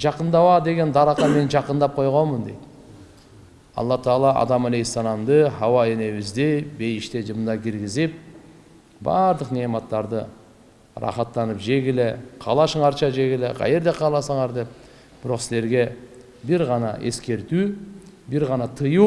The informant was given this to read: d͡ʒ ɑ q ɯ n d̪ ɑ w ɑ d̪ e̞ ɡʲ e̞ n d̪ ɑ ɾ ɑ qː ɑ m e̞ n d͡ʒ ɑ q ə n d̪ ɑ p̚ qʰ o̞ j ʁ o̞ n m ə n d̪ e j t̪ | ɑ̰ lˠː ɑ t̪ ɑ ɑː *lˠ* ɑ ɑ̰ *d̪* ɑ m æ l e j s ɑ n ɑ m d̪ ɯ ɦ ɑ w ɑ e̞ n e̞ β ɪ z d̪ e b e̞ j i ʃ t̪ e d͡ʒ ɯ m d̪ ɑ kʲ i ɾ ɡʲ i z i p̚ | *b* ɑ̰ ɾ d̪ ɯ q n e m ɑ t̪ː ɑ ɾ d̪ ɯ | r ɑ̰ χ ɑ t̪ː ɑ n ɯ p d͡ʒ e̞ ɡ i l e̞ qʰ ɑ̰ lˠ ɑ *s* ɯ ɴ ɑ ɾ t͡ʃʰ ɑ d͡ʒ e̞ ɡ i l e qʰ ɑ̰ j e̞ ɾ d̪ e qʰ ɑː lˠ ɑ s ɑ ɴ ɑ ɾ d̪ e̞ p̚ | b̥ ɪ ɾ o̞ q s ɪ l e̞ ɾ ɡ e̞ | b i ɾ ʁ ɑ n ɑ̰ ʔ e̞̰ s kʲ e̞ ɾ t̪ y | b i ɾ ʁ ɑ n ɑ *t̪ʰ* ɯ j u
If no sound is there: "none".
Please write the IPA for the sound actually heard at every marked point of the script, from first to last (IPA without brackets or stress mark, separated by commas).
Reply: lˠ, d̪, b, ʃ, t̪ʰ